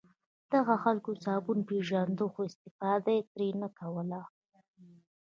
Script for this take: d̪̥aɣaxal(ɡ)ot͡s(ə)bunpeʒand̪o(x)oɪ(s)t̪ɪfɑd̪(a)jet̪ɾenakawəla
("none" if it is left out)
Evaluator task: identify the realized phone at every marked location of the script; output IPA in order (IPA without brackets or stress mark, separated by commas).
k, ɑ, x, s, a